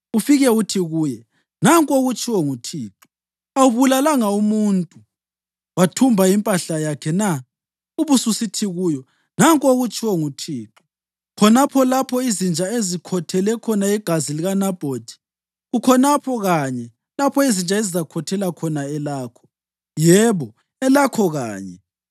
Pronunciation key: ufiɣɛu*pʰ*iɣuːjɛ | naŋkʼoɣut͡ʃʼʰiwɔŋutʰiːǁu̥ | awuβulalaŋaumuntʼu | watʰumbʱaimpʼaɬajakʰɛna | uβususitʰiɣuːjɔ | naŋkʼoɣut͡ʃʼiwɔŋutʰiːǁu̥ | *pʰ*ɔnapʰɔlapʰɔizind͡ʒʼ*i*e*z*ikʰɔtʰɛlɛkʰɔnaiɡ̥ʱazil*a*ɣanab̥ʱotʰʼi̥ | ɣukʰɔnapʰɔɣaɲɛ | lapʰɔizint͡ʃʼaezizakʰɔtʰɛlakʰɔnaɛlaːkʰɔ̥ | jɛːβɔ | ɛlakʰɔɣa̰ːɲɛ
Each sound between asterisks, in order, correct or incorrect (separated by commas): incorrect, incorrect, incorrect, correct, incorrect